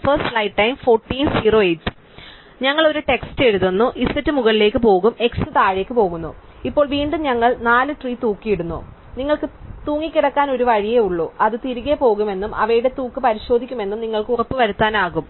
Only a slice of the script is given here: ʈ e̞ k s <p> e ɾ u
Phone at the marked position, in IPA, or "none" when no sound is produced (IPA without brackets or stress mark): t